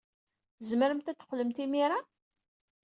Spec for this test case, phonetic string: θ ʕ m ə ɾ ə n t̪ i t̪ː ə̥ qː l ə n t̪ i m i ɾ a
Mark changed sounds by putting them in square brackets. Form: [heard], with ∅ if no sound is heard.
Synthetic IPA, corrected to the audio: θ [z] m ə ɾ ə [m] t̪ [æ] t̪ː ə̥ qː l ə [m] t̪ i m i ɾ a